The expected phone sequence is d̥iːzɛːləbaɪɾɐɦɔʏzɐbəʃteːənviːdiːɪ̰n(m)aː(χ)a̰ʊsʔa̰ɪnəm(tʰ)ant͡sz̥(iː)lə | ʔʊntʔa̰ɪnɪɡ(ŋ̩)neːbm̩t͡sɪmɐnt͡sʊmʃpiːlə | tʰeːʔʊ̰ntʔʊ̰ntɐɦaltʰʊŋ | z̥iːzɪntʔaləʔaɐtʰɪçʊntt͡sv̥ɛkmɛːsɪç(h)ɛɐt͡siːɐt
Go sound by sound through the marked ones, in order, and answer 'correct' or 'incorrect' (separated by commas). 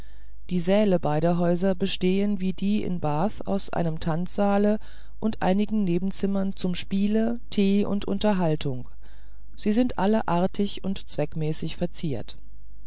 incorrect, incorrect, correct, incorrect, correct, incorrect